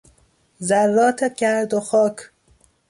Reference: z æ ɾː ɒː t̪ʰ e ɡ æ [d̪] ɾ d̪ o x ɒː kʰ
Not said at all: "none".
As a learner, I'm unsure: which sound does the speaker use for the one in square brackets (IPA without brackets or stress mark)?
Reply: none